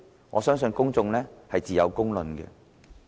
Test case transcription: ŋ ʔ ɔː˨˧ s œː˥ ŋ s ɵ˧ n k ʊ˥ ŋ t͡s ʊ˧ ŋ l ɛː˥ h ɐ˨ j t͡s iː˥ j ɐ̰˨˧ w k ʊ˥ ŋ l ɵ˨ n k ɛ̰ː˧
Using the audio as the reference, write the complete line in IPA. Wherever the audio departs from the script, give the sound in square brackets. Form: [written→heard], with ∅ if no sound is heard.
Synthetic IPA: ŋ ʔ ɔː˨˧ s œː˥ ŋ s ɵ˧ n k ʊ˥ ŋ t͡s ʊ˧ ŋ l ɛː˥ h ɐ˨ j t͡s [iː˥→iː˨] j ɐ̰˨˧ w k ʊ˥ ŋ l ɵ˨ n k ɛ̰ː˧